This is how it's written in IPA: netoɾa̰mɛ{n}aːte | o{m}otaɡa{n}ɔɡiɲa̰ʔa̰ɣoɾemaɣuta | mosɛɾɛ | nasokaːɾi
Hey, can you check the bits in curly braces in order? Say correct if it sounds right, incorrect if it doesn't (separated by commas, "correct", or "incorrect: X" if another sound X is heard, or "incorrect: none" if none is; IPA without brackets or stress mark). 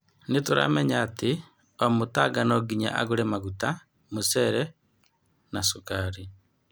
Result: incorrect: ɲ, correct, correct